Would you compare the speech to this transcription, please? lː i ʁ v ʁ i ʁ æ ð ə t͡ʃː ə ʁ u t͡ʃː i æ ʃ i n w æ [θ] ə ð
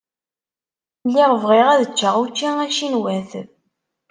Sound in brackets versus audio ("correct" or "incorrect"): correct